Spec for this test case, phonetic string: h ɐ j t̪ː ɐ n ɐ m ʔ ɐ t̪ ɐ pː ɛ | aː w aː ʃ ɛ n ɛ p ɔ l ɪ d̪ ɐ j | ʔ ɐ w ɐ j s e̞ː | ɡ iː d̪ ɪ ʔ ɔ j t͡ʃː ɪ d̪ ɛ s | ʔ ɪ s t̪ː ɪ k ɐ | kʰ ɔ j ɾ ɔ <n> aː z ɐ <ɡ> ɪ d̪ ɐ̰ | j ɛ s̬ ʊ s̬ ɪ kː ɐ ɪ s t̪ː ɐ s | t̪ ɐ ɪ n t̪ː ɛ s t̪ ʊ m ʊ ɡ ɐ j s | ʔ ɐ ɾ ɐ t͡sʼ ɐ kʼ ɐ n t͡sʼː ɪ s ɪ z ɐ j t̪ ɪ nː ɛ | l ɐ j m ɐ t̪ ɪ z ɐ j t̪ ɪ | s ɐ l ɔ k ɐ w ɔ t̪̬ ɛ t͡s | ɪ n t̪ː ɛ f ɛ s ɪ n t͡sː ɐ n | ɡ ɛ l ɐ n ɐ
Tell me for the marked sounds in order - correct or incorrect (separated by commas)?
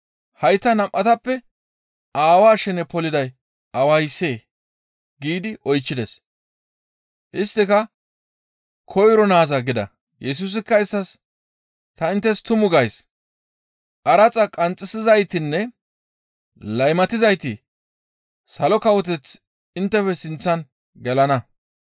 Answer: correct, correct